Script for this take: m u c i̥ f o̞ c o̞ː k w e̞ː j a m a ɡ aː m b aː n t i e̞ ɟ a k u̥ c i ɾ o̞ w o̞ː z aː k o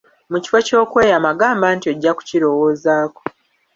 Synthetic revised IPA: m u c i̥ f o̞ c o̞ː k w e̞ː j a m a ɡ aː m b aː n t i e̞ ɟː a k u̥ c i ɾ o̞ w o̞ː z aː k o